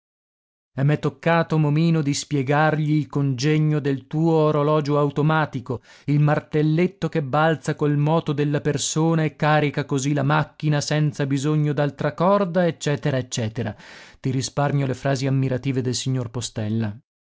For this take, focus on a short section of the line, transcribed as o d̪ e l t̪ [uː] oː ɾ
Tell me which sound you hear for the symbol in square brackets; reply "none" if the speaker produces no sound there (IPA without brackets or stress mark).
uː